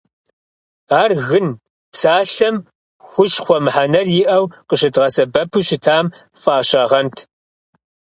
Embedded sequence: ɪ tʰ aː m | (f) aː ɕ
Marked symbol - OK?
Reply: yes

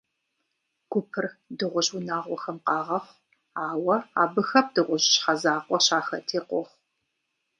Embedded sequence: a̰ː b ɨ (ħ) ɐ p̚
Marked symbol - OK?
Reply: no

